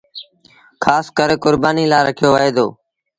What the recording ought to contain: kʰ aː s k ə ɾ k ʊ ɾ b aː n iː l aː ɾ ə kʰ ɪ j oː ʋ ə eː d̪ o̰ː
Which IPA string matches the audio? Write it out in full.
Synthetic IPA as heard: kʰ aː s k ə ɾ k ʊ ɾ b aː n iː l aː ɾ ə kʰ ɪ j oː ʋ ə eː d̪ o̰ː

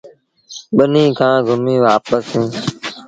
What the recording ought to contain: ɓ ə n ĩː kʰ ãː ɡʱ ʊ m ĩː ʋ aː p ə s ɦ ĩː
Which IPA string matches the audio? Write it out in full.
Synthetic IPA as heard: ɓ ə n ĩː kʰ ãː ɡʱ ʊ m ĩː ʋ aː p ə s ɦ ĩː

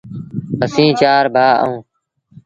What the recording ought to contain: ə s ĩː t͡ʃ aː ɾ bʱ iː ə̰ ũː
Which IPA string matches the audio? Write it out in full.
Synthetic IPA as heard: ə s ĩː t͡ʃ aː ɾ bʱ aː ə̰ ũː

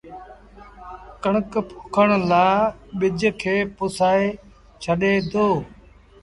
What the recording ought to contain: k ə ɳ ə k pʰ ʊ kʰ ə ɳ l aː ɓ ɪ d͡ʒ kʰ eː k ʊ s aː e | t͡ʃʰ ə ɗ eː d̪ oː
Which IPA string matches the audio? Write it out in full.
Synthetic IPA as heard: k ə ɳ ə k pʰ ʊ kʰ ə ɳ l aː ɓ ɪ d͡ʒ kʰ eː p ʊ s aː e | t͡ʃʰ ə ɗ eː d̪ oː

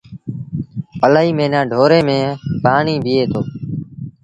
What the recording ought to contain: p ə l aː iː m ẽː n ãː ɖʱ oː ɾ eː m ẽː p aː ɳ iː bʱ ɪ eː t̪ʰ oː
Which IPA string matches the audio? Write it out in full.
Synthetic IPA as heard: p ə l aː iː m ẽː n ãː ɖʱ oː ɾ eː m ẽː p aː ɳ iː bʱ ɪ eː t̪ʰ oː

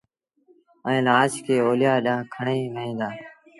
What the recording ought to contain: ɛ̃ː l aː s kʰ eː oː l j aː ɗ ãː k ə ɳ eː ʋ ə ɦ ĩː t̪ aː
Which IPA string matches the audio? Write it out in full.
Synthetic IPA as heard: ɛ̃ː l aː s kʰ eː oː l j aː ɗ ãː kʰ ə ɳ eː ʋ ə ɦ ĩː d̪ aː

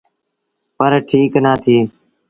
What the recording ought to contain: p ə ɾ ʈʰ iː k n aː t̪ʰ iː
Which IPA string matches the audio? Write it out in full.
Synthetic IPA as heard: p ə ɾ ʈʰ iː k n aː t̪ʰ iː

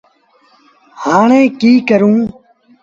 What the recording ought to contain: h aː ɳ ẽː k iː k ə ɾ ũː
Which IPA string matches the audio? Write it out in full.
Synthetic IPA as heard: h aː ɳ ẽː k iː k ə ɾ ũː

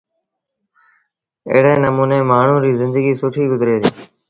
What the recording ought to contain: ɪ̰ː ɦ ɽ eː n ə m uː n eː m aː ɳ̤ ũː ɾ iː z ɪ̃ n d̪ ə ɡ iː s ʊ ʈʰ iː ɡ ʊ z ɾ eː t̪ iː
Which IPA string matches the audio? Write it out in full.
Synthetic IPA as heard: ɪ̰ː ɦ ɽ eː n ə m uː n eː m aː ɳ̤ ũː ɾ iː z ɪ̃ n d̪ ə ɡ iː s ʊ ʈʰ iː ɡ ʊ z ɾ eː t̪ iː

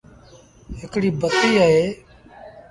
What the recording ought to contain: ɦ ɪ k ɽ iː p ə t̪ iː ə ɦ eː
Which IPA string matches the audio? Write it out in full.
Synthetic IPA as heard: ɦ ɪ k ɽ iː b ə t̪ iː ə ɦ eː

